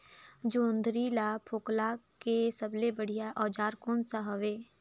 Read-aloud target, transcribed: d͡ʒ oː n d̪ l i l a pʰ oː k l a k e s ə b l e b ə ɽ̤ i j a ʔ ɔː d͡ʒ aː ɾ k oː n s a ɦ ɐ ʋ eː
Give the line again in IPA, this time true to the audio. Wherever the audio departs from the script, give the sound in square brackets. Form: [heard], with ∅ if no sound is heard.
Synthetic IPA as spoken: d͡ʒ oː n d̪ [ɾ] i l a pʰ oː k l a k e s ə b l e b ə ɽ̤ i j a ʔ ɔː d͡ʒ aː ɾ k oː n s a ɦ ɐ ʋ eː